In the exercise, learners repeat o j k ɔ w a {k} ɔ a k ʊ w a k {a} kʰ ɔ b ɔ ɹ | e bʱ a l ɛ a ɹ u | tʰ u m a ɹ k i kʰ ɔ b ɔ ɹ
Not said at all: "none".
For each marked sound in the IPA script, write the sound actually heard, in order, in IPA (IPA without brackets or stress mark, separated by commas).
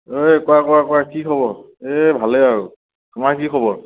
k, i